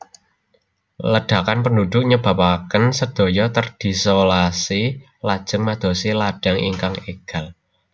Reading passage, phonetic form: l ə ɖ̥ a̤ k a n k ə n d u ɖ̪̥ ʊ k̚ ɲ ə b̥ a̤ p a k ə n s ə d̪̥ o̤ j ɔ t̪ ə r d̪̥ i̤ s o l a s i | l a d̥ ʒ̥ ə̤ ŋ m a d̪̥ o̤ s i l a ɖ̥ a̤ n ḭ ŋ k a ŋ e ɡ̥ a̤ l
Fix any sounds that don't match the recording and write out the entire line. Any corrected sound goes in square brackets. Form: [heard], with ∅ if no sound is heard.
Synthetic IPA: l ə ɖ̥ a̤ k a n [p] ə n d u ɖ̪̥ ʊ k̚ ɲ ə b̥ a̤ p a k ə n s ə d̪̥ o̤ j ɔ t̪ ə r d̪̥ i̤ s o l a s i | l a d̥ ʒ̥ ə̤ ŋ m a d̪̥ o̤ s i l a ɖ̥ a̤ [ŋ] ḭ ŋ k a ŋ e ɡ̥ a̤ l